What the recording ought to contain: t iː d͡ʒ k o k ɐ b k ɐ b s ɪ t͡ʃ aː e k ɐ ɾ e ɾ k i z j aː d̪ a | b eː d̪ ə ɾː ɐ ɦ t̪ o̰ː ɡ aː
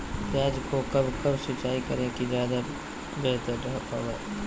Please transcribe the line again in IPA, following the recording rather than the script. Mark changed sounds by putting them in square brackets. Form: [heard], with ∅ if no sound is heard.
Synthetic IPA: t [aː] d͡ʒ k o k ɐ b k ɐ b s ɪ t͡ʃ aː [i] k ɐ ɾ e [∅] k i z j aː d̪ a | b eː [t̪] ə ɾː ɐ ɦ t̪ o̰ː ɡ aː